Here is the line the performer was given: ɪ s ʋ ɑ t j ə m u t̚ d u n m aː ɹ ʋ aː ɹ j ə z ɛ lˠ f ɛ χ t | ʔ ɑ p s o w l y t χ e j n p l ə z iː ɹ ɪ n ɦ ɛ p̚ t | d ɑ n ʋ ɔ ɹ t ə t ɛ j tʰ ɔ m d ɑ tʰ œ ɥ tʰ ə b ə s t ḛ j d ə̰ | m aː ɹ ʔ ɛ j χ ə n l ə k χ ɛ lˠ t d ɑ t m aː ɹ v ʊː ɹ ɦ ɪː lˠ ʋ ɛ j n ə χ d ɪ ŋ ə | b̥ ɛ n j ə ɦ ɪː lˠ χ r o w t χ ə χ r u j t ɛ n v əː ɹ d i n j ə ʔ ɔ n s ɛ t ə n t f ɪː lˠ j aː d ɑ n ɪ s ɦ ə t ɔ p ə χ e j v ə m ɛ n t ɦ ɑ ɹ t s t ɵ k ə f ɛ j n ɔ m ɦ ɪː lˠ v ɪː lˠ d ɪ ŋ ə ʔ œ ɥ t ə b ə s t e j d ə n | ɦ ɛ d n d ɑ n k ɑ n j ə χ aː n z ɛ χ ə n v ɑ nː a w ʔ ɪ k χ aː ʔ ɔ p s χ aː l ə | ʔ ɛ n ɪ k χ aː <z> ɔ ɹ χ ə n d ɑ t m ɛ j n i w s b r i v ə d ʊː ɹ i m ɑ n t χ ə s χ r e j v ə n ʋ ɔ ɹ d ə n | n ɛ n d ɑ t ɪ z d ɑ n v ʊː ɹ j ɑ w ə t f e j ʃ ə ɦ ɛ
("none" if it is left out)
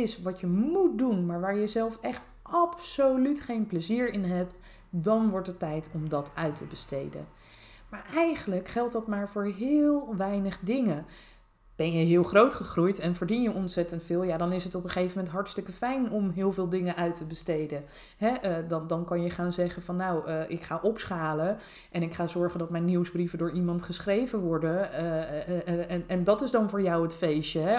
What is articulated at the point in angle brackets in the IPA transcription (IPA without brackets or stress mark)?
z